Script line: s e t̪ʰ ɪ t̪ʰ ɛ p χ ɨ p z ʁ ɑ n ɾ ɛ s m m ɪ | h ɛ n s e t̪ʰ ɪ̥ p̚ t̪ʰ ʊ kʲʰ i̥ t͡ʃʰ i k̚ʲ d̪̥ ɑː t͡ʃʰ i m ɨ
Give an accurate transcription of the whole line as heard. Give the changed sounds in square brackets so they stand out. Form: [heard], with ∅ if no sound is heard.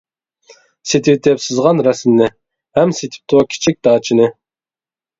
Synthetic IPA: s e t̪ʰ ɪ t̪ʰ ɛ p [s] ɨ [∅] z ʁ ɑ n ɾ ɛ s m [n] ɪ | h ɛ [m] s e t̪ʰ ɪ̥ p̚ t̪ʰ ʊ kʲʰ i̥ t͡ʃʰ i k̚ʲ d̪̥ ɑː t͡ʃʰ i [n] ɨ